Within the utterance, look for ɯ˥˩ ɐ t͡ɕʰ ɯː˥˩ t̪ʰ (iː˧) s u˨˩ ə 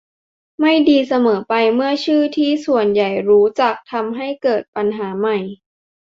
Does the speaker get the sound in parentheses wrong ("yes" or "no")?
yes